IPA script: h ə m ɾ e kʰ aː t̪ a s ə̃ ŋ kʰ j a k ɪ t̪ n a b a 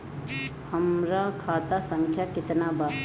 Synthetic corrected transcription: h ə m ɾ a kʰ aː t̪ a s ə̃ ŋ kʰ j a k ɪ t̪ n a b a